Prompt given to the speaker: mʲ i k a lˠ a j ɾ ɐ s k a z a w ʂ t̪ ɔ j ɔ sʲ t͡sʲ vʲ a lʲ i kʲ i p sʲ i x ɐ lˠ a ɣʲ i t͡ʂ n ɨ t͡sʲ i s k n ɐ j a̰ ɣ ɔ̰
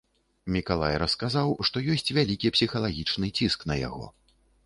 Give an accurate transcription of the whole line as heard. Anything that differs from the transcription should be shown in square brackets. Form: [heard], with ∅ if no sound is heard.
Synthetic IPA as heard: mʲ i k a lˠ a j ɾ ɐ s k a z a w ʂ t̪ ɔ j ɔ sʲ t͡sʲ vʲ a lʲ i kʲ i p sʲ i x ɐ lˠ a ɣʲ i t͡ʂ n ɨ t͡sʲ i s k n ɐ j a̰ ɣ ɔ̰

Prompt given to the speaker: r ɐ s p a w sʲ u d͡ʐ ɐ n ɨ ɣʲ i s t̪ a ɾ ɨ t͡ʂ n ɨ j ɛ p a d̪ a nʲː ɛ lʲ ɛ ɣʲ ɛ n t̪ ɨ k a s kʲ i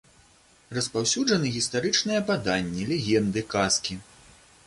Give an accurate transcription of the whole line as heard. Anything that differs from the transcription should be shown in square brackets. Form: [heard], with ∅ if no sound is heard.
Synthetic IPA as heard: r ɐ s p a w sʲ u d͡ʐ ɐ n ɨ ɣʲ i s t̪ a ɾ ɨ t͡ʂ n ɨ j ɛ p a d̪ a nʲː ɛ lʲ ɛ ɣʲ ɛ n [d̪] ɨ k a s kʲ i

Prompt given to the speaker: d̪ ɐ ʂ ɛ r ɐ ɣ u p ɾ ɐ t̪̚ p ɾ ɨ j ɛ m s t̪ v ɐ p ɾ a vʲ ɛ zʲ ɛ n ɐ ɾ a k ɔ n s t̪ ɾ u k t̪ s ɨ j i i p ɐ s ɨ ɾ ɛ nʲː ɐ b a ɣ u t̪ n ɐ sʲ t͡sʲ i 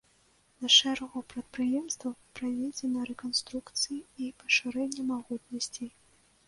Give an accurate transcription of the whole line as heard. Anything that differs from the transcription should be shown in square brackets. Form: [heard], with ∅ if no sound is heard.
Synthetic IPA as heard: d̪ ɐ ʂ ɛ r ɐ ɣ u p ɾ ɐ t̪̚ p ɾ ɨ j ɛ m s t̪ v ɐ p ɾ a vʲ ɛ [d͡zʲ] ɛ n ɐ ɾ [ɛ] k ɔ n s t̪ ɾ u k t̪ s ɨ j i i p ɐ [ʂ] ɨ ɾ ɛ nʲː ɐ [m] a ɣ u t̪ n ɐ sʲ t͡sʲ i

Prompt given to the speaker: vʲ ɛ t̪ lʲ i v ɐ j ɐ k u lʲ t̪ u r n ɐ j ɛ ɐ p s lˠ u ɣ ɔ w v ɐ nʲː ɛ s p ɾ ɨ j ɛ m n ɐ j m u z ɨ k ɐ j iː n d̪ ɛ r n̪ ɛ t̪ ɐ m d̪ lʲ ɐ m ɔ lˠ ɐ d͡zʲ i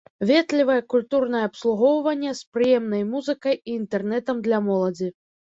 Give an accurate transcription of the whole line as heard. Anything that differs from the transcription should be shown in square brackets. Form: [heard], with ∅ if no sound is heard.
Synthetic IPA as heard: vʲ ɛ t̪ lʲ i v ɐ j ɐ k u lʲ t̪ u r n ɐ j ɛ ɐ p s lˠ u ɣ ɔ w v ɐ nʲː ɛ s p ɾ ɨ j ɛ m n ɐ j m u z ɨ k ɐ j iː n [t̪] ɛ r n̪ ɛ t̪ ɐ m d̪ lʲ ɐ m ɔ lˠ ɐ d͡zʲ i

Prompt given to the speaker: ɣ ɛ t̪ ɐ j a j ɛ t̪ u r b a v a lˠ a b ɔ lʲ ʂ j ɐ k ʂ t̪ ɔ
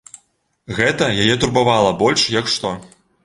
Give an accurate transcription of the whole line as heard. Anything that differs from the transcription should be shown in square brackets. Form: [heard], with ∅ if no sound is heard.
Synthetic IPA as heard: ɣ ɛ t̪ ɐ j a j ɛ t̪ u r b a v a lˠ [ɐ] b ɔ lʲ ʂ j ɐ k ʂ t̪ ɔ

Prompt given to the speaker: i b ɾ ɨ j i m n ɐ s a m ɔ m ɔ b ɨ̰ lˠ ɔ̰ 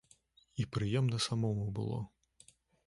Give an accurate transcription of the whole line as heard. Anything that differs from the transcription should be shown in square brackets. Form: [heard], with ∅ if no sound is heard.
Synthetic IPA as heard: i [p] ɾ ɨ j [ɛ] m n ɐ s a m ɔ m [u] b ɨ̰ lˠ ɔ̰

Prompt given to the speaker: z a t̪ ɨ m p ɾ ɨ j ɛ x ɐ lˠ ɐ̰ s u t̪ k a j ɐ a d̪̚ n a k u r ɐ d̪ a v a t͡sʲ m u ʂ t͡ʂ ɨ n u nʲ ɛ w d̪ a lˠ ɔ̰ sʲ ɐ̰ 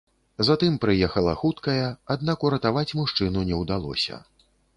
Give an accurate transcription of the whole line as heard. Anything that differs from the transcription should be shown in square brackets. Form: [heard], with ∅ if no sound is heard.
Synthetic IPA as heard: z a t̪ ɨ m p ɾ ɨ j ɛ x ɐ lˠ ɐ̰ [x] u t̪ k [ɐ] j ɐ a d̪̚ n a k u [ɾ] ɐ [t̪] a v a t͡sʲ m u ʂ t͡ʂ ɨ n u nʲ ɛ w d̪ a lˠ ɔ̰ sʲ ɐ̰

